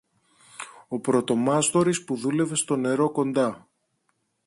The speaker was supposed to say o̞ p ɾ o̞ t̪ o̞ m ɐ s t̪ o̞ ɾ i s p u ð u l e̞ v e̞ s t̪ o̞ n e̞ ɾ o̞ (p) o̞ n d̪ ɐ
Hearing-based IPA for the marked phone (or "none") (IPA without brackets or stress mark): k